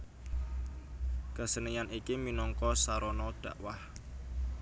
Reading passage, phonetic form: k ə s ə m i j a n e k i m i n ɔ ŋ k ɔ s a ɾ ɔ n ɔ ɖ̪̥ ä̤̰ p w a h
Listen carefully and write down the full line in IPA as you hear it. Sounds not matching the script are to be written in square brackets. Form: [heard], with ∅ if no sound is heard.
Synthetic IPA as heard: k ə s ə [n] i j a n [i] k i m i n ɔ ŋ k ɔ s a ɾ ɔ n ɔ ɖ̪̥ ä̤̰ [ʔ] w a h